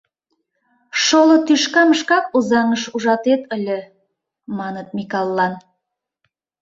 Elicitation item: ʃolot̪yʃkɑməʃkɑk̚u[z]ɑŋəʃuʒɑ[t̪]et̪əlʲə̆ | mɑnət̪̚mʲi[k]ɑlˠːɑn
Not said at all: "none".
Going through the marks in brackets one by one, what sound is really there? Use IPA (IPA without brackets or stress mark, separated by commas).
z, t̪, k